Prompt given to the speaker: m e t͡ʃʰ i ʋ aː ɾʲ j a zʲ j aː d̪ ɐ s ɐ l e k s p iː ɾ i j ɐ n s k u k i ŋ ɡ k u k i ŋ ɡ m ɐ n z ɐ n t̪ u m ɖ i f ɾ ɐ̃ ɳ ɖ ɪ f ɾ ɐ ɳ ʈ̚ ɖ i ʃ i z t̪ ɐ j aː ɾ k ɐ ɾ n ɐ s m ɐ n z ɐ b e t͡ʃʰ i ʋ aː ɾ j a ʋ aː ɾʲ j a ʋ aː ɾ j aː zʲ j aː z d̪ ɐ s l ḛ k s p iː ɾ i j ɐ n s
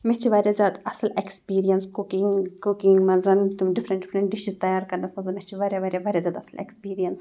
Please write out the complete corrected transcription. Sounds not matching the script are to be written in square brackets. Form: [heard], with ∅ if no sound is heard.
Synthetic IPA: m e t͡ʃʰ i ʋ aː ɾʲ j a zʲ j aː d̪ ɐ s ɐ l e k s p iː ɾ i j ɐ n s k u k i ŋ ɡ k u k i ŋ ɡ m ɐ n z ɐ n t̪ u m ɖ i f ɾ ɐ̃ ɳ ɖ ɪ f ɾ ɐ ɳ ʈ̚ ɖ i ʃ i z t̪ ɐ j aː ɾ k ɐ ɾ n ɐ s m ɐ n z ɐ [m] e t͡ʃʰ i ʋ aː ɾ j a ʋ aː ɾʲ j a ʋ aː ɾ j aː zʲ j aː [∅] d̪ ɐ s l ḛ k s p iː ɾ i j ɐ n s